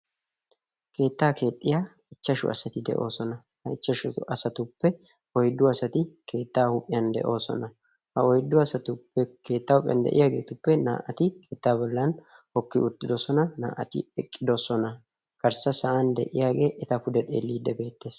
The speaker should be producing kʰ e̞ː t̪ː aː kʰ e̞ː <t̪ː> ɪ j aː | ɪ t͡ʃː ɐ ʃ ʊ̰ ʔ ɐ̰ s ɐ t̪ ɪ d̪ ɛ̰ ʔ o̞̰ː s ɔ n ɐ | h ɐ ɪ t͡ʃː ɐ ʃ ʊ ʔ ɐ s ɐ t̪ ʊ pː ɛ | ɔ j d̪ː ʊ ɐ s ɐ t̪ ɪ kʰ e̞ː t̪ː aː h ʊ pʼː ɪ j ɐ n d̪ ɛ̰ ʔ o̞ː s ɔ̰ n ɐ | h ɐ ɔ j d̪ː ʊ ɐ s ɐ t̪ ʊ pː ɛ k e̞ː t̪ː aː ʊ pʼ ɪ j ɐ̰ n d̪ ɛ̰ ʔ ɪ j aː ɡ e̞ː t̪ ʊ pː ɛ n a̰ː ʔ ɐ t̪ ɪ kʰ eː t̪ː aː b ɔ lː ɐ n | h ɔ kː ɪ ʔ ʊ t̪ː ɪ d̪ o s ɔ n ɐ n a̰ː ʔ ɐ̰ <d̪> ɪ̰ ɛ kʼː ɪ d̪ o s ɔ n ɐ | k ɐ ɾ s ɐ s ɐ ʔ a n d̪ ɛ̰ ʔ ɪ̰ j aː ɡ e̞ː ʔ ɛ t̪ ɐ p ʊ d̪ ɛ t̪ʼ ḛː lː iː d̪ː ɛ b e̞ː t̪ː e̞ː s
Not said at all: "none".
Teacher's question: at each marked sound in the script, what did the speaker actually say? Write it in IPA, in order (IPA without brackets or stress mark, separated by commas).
t̪ʼː, t̪